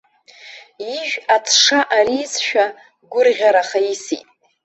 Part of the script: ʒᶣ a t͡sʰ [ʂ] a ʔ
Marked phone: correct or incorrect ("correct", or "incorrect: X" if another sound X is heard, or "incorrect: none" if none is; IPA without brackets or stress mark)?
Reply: correct